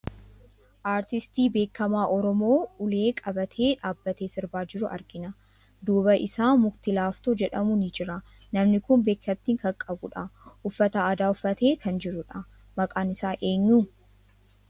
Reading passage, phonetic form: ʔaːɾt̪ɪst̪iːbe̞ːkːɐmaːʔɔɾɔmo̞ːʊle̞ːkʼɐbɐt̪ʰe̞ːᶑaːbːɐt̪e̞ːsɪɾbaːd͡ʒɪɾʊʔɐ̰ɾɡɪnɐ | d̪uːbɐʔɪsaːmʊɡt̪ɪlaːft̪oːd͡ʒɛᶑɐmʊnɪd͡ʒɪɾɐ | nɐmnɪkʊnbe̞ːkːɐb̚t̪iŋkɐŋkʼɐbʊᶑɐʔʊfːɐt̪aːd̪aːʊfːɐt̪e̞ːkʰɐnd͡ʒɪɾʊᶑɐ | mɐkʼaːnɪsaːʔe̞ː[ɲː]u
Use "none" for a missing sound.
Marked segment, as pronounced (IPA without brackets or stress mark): ɲː